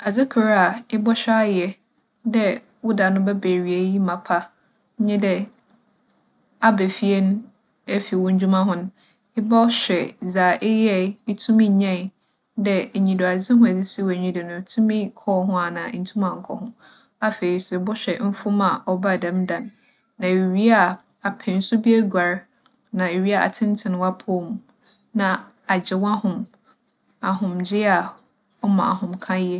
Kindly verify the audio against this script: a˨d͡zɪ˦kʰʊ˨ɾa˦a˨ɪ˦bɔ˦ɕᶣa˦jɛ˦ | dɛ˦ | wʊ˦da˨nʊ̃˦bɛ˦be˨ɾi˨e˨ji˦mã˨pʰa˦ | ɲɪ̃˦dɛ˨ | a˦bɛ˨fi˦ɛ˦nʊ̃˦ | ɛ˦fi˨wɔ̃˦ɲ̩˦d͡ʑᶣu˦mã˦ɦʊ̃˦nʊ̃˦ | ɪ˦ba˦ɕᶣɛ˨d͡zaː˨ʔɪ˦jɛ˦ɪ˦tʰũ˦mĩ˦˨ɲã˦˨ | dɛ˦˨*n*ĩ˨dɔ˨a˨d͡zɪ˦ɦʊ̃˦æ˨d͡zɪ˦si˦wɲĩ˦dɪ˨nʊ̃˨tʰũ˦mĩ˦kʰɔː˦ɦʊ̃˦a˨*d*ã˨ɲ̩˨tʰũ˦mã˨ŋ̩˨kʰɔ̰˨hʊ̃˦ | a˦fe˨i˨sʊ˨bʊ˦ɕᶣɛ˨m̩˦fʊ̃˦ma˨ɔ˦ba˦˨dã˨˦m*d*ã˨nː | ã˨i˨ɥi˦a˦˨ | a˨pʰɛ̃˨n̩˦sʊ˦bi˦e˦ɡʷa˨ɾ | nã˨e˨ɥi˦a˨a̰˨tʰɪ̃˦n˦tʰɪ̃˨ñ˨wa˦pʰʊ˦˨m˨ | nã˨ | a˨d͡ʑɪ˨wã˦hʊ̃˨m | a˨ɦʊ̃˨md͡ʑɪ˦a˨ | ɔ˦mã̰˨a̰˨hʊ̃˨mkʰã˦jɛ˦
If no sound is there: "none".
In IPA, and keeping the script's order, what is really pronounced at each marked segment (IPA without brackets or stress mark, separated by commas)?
ɲ, n, d